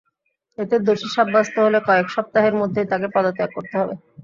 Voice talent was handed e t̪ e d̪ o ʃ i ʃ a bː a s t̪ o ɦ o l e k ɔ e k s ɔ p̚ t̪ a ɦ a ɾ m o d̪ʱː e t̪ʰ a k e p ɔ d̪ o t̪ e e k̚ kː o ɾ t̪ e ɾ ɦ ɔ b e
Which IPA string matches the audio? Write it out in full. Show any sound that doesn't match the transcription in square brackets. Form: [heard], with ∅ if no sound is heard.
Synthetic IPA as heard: e t̪ e d̪ o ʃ i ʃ a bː a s t̪ o ɦ o l e k ɔ e k [ʃ] ɔ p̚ t̪ a ɦ [e] ɾ m o d̪ʱː e [t̪] a k e p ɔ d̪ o t̪ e [a] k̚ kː o ɾ t̪ e [∅] ɦ ɔ b e